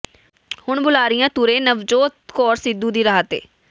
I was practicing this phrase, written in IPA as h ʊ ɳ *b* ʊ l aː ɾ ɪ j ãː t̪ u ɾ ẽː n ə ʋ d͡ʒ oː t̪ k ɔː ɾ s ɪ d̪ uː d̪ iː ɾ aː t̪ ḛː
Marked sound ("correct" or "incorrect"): correct